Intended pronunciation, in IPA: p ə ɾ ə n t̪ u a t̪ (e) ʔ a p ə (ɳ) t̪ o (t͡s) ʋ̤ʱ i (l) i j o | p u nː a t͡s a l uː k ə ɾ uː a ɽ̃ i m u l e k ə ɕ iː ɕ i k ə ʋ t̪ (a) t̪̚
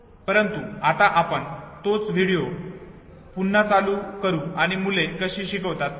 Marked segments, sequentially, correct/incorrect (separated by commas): incorrect, correct, correct, incorrect, correct